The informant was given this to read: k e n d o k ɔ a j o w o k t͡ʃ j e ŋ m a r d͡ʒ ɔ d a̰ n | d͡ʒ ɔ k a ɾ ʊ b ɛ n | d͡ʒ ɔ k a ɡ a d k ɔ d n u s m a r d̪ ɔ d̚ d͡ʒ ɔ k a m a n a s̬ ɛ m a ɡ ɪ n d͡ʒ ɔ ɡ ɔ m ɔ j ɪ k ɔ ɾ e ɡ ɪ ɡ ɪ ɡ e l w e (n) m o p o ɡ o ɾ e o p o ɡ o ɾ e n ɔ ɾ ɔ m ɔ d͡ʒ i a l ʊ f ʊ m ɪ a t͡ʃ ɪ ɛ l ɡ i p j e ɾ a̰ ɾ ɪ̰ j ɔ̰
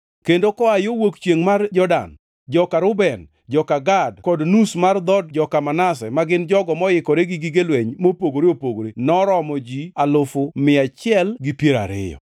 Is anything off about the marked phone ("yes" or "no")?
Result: yes